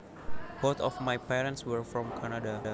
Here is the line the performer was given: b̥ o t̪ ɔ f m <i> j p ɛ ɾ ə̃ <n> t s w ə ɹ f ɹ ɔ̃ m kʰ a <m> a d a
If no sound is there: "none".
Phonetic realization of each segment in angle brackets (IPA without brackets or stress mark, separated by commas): a, n, n